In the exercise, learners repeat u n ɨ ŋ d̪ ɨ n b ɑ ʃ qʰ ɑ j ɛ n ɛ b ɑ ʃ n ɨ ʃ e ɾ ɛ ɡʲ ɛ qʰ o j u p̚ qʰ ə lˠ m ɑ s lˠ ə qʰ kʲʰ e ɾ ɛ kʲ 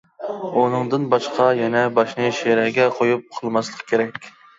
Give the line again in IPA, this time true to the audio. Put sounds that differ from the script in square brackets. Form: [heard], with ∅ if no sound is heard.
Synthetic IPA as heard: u n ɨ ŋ d̪ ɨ n b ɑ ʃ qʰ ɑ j ɛ n ɛ b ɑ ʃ n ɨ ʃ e ɾ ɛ ɡʲ ɛ qʰ o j u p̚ qʰ ə lˠ m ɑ s lˠ ə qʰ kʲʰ e ɾ ɛ kʲ